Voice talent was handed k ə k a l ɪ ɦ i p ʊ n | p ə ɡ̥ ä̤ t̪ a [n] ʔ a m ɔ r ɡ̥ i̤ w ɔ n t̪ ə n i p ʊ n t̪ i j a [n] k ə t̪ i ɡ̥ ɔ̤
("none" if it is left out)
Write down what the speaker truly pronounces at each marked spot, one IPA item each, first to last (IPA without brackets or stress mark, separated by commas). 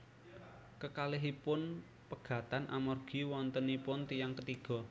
n, ŋ